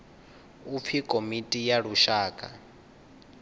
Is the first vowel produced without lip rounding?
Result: no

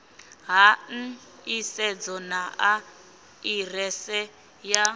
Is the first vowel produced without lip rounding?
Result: yes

